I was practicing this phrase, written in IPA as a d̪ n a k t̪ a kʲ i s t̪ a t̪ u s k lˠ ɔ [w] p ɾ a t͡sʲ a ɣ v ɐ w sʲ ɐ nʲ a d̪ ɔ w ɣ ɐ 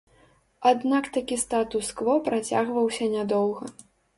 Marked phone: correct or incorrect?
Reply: incorrect